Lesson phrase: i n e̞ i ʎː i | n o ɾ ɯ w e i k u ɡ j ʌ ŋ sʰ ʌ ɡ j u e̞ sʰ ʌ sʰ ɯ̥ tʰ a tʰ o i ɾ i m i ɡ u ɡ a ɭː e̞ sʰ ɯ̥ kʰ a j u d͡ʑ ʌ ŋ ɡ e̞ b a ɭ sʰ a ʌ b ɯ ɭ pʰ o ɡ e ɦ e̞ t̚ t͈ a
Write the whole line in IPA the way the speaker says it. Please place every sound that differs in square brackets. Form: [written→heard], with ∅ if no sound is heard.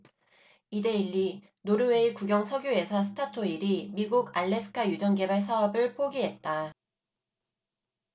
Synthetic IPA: i [n→d] e̞ i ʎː i | n o ɾ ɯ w e i k u ɡ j ʌ ŋ sʰ ʌ ɡ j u e̞ sʰ ʌ sʰ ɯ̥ tʰ a tʰ o i ɾ i m i ɡ u ɡ a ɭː e̞ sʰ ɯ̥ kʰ a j u d͡ʑ ʌ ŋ ɡ e̞ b a ɭ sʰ a ʌ b ɯ ɭ pʰ o ɡ [e→i] ɦ e̞ t̚ t͈ a

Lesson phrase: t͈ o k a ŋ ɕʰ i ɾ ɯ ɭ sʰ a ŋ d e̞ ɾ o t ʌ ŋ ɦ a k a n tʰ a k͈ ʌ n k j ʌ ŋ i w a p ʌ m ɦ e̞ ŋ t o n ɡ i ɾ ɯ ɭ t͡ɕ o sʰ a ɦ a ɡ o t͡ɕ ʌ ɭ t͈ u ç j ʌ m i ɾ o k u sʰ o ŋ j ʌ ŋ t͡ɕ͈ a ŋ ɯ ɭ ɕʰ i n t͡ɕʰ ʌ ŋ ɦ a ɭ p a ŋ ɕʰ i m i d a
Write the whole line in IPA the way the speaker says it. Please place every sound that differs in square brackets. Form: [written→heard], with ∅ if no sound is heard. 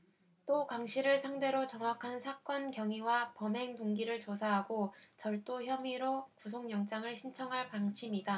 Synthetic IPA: t͈ o k a ŋ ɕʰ i ɾ ɯ ɭ sʰ a ŋ d e̞ ɾ o [t→t͡ɕ] ʌ ŋ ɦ a [k→kʰ] a n [tʰ→sʰ] a k͈ ʌ n k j ʌ ŋ i w a p ʌ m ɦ e̞ ŋ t o [n→ŋ] ɡ i ɾ ɯ ɭ t͡ɕ o sʰ a ɦ a ɡ o t͡ɕ ʌ ɭ t͈ [u→o] ç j ʌ m i ɾ o k u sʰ o ŋ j ʌ ŋ t͡ɕ͈ a ŋ ɯ ɭ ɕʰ i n t͡ɕʰ ʌ ŋ ɦ a ɭ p a ŋ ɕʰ i m i d a

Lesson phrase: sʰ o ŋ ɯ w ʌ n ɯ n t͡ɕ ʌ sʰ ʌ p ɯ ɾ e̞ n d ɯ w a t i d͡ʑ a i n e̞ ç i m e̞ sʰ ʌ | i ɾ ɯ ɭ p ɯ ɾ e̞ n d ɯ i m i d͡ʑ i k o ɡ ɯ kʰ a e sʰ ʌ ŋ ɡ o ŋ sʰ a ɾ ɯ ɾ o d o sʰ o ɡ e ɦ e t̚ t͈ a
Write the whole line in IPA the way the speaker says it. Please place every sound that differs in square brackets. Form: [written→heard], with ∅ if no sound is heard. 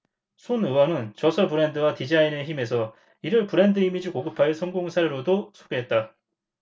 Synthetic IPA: sʰ o [ŋ→n] ɯ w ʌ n ɯ n t͡ɕ ʌ sʰ ʌ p ɯ ɾ e̞ n d ɯ w a t i d͡ʑ a i n e̞ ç i m e̞ sʰ ʌ | i ɾ ɯ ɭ p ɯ ɾ e̞ n d ɯ i m i d͡ʑ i k o ɡ ɯ [kʰ→pʰ] a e sʰ ʌ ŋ ɡ o ŋ sʰ a ɾ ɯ ɾ o d o sʰ o ɡ e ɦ e t̚ t͈ a

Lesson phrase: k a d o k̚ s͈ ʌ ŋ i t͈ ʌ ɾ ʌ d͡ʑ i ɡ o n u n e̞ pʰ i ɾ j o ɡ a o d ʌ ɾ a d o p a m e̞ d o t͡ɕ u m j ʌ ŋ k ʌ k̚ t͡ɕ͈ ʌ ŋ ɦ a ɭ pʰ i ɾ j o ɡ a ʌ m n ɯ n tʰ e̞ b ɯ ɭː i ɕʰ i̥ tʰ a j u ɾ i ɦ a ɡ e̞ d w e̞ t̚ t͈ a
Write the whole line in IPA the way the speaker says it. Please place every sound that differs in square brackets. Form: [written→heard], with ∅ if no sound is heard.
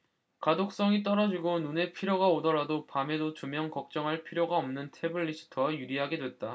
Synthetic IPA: k a d o k̚ s͈ ʌ ŋ i t͈ ʌ ɾ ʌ d͡ʑ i ɡ o n u n e̞ pʰ i ɾ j o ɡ a o d ʌ ɾ a d o p a m e̞ d o t͡ɕ u m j ʌ ŋ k ʌ k̚ t͡ɕ͈ ʌ ŋ ɦ a ɭ pʰ i ɾ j o ɡ a ʌ m n ɯ n tʰ e̞ b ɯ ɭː i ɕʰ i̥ tʰ [a→ʌ] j u ɾ i ɦ a ɡ e̞ d w e̞ t̚ t͈ a

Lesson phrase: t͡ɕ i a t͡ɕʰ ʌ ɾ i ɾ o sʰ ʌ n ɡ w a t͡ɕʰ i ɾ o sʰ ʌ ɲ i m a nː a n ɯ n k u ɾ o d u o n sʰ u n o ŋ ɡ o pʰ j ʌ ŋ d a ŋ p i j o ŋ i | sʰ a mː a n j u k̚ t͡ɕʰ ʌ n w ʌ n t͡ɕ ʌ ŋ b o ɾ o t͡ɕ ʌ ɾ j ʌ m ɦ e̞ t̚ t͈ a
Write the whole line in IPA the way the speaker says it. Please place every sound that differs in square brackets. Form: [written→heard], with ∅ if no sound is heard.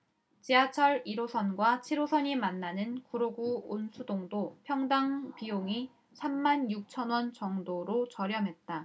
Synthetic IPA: t͡ɕ i a t͡ɕʰ ʌ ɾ i ɾ o sʰ ʌ n ɡ w a t͡ɕʰ i ɾ o sʰ ʌ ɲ i m a nː a n ɯ n k u ɾ o [d→ɡ] u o n sʰ u [n→d] o ŋ [ɡ→d] o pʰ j ʌ ŋ d a ŋ p i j o ŋ i | sʰ a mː a n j u k̚ t͡ɕʰ ʌ n w ʌ n t͡ɕ ʌ ŋ [b→d] o ɾ o t͡ɕ ʌ ɾ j ʌ m ɦ e̞ t̚ t͈ a

